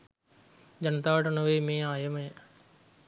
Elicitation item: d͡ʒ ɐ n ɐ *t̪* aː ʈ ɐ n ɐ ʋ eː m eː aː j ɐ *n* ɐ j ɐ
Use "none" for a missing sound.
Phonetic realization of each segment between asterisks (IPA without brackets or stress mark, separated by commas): t̪, m